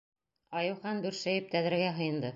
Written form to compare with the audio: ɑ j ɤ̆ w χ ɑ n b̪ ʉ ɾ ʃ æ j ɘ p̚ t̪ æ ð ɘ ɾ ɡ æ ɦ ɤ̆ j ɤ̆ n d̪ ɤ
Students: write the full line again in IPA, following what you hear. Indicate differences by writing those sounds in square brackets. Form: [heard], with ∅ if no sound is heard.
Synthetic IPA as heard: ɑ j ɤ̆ w χ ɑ n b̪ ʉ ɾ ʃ æ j ɘ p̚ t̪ æ ð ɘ ɾ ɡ æ ɦ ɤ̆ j ɤ̆ n d̪ ɤ